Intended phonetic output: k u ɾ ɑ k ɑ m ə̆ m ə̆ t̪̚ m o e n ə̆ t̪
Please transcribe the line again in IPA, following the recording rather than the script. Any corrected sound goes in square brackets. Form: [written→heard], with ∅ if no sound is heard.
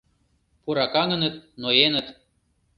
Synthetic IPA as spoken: [k→p] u ɾ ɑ k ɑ [m→ŋ] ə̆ [m→n] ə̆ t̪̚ [m→n] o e n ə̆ t̪